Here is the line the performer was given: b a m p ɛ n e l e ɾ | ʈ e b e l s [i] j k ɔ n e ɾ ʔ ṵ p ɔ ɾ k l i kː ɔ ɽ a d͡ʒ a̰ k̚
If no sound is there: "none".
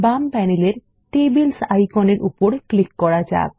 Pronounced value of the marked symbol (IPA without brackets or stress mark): a